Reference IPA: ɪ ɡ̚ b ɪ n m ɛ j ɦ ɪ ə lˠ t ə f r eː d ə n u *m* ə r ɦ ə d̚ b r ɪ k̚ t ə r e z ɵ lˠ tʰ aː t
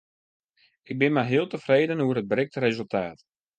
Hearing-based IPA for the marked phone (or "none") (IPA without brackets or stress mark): none